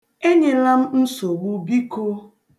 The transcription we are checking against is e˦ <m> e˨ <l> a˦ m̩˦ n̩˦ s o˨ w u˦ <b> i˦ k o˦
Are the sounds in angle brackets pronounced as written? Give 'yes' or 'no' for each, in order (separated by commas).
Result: no, yes, yes